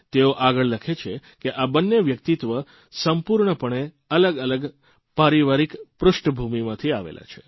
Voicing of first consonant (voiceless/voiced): voiceless